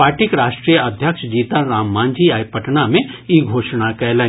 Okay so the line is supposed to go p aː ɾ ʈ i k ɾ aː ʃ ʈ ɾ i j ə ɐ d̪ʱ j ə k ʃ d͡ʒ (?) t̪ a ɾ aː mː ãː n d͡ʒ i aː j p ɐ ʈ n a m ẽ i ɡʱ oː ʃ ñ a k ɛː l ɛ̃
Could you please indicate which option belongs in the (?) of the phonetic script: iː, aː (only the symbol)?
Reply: iː